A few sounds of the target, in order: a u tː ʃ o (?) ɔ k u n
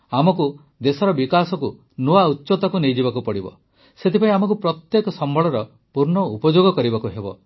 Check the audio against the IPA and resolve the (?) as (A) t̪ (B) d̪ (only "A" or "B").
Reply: A